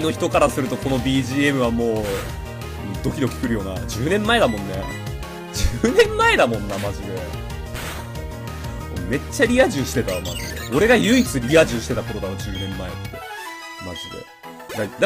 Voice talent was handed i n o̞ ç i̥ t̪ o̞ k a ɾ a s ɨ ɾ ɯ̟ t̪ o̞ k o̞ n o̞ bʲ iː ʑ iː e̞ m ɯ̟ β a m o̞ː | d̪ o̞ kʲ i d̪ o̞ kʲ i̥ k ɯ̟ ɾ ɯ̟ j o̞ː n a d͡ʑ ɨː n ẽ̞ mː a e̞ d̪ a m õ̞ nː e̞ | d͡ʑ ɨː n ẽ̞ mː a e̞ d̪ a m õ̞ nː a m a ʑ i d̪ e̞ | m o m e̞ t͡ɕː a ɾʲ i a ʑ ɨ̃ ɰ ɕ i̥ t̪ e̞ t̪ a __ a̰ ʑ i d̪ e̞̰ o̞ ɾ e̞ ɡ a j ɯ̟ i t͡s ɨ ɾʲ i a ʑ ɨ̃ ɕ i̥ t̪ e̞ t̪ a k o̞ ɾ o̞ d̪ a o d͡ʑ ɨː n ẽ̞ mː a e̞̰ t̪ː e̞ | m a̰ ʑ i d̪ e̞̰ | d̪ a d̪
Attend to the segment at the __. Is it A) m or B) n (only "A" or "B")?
A